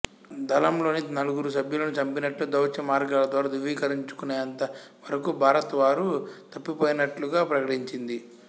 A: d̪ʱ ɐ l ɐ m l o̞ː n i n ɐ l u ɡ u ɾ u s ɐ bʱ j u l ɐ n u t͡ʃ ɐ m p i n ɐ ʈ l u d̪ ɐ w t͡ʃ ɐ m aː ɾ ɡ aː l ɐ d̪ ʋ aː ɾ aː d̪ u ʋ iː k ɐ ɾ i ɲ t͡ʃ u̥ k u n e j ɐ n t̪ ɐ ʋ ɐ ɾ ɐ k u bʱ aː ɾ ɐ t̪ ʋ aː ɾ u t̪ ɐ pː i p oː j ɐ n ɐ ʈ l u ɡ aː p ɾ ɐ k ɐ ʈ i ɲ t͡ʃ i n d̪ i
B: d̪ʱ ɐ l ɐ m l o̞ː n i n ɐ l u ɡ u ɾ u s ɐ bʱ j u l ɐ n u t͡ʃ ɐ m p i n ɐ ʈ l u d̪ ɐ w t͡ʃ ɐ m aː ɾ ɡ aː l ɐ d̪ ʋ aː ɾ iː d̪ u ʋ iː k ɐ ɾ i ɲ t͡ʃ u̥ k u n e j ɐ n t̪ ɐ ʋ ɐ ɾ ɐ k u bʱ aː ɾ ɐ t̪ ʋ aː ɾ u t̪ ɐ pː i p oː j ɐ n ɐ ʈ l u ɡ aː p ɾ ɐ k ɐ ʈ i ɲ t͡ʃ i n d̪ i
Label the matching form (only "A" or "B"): A